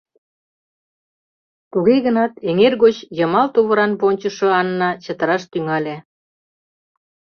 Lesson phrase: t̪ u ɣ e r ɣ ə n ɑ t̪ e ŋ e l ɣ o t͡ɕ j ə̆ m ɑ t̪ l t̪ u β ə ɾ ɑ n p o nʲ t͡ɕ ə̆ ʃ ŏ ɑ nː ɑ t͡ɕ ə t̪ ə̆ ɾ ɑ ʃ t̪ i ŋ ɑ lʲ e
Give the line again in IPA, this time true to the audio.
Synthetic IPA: t̪ u ɣ e ɣ ə n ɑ t̪ e ŋ e r ɣ o t͡ɕ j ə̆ m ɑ l t̪ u β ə ɾ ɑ n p o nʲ t͡ɕ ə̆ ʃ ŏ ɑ nː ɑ t͡ɕ ə t̪ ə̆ ɾ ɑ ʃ t̪ y ŋ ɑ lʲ e